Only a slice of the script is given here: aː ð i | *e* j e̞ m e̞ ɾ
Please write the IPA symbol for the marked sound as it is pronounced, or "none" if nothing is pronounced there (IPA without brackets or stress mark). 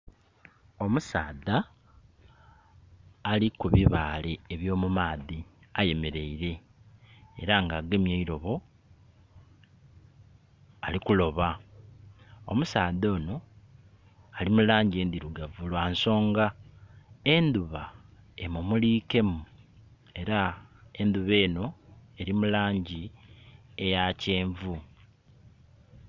a